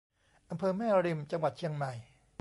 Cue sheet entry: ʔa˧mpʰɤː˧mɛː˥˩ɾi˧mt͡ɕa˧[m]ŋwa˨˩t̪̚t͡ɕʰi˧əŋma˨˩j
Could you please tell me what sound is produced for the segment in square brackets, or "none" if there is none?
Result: none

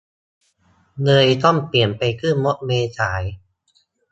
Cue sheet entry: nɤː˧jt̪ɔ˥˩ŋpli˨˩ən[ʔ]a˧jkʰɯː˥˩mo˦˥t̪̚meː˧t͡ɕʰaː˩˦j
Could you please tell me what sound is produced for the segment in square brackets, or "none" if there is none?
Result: p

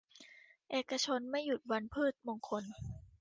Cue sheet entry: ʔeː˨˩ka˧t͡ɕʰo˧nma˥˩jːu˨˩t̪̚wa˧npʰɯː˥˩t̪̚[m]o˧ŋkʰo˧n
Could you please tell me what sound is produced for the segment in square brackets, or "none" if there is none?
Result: m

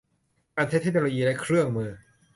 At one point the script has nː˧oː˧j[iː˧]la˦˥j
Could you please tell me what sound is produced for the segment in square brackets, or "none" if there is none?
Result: iː˧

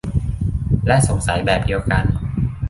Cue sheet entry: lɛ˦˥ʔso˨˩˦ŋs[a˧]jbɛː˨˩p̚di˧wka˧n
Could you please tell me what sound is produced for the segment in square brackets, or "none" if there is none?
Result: a˩˦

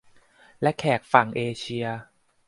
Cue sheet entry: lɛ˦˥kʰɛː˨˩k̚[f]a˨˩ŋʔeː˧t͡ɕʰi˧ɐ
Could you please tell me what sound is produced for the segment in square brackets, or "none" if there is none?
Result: f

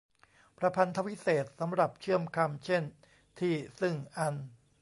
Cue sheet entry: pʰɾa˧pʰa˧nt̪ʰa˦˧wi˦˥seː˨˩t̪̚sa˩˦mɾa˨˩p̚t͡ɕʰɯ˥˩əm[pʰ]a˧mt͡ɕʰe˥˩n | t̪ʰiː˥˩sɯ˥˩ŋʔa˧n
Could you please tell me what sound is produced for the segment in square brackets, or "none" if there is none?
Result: kʰ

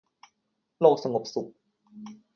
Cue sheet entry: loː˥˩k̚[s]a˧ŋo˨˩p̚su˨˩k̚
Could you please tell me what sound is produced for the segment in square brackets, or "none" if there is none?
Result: s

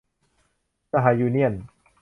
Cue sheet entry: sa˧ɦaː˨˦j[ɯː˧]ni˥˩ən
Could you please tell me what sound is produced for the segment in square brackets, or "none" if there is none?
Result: uː˧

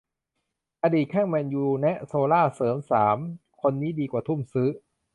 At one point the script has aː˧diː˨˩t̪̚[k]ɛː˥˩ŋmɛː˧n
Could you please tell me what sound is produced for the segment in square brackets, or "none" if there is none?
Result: kʰ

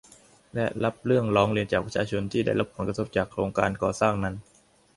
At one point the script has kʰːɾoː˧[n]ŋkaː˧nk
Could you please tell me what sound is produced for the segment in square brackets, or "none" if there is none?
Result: none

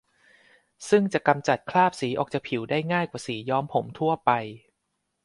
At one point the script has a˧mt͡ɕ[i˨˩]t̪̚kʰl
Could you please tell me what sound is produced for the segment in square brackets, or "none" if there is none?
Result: a˨˩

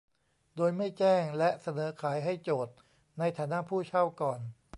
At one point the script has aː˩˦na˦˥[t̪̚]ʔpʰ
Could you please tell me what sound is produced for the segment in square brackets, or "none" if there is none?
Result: none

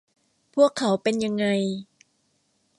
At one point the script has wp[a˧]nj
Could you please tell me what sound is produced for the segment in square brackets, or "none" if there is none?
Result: e˧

